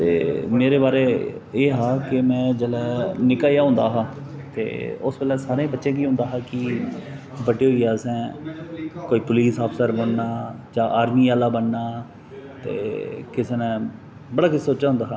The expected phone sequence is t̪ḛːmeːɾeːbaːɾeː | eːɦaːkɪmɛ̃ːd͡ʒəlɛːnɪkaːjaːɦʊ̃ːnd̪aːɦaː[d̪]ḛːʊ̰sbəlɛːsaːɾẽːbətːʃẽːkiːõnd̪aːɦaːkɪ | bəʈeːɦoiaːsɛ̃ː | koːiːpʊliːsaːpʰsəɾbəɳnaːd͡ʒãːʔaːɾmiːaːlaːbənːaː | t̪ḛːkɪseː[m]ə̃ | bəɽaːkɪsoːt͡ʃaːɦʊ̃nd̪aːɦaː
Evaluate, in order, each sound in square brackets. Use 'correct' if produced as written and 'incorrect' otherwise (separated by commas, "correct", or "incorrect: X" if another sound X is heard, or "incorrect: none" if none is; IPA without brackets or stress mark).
incorrect: t̪, incorrect: n